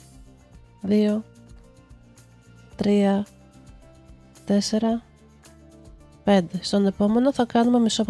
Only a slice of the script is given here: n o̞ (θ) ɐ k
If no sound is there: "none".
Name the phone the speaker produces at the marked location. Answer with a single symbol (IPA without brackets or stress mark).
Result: θ